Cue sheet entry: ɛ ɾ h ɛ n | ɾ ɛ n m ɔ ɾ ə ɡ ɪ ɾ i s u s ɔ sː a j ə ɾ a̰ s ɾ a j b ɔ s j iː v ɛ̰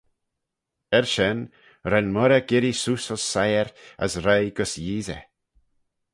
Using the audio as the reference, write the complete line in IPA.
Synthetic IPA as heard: ɛ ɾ ʃ ɛ n | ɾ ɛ n m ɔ ɾ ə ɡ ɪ ɾ i s u s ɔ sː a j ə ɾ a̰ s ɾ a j ɡ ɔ s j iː z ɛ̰